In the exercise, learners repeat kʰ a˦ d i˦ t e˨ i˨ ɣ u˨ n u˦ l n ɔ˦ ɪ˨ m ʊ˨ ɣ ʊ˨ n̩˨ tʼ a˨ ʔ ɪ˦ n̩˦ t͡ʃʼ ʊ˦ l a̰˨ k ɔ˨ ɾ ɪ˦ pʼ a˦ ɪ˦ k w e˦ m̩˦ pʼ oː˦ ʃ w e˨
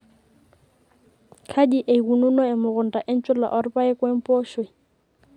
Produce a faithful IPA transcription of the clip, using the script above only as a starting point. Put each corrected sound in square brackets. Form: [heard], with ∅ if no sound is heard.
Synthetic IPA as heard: kʰ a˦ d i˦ [ʔ] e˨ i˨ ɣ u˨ n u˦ [∅] n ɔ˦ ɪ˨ m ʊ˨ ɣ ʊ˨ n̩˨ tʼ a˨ ʔ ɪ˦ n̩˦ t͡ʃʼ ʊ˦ l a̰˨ [ʔ] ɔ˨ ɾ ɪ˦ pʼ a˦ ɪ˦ k w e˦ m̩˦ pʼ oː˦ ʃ w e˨